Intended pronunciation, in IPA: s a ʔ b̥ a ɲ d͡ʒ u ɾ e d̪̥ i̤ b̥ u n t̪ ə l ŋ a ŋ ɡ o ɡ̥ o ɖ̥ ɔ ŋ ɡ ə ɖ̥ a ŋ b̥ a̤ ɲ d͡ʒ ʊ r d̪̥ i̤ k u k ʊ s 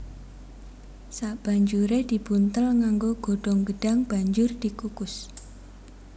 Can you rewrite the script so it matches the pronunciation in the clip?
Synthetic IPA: s a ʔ b̥ a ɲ d͡ʒ u ɾ e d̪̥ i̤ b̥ u n t̪ ə l ŋ a ŋ ɡ o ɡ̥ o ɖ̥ ɔ ŋ ɡ ə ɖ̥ a ŋ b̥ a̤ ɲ d͡ʒ ʊ r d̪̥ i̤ k u k ʊ s